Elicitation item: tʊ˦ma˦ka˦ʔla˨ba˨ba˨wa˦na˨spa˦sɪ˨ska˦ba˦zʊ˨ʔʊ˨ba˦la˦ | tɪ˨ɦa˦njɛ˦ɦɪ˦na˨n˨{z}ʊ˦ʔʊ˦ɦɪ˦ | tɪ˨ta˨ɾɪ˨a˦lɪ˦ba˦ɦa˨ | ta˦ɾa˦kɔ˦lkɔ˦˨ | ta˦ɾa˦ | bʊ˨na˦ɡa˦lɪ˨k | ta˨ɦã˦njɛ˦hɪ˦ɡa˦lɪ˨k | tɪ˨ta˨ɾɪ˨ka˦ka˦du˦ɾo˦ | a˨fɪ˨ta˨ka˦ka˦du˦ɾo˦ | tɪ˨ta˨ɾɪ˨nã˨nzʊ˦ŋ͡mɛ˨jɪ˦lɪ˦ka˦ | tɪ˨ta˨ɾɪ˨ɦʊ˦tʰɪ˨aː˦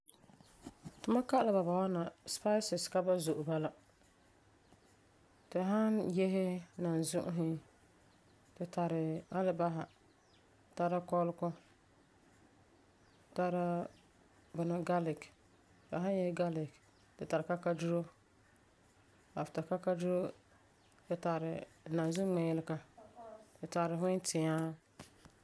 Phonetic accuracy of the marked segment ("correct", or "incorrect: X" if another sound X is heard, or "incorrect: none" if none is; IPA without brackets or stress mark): correct